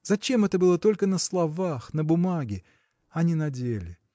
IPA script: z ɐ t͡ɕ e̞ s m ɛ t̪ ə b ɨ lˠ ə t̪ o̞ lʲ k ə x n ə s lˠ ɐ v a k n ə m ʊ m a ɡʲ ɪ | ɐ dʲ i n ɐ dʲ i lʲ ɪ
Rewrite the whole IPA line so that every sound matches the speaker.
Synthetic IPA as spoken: z ɐ t͡ɕ e̞ m ɛ t̪ ə b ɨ lˠ ə t̪ o̞ lʲ k ə n ə s lˠ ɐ v a x n ə b ʊ m a ɡʲ ɪ | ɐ nʲ i n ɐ dʲ e lʲ ɪ